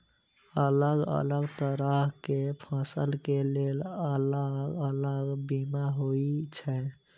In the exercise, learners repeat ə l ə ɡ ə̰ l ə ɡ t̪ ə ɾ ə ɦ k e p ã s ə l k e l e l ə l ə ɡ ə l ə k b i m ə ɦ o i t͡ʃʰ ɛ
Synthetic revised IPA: ə l ə ɡ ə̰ l ə ɡ t̪ ə ɾ ə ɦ k e pʰ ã s ə l k e l e l ə l ə ɡ ə l ə ɡ b i m a ɦ o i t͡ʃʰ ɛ